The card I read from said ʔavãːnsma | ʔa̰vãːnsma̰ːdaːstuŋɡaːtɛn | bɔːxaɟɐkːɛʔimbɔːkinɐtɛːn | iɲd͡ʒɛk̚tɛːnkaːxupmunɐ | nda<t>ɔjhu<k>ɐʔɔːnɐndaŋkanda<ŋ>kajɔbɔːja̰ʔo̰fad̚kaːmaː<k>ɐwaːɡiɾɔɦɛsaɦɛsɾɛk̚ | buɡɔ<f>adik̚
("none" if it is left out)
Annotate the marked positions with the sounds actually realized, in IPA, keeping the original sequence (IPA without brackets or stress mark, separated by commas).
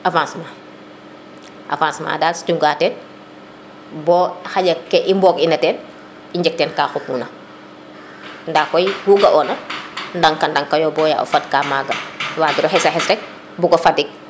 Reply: k, ɡ, ŋ, ɡ, f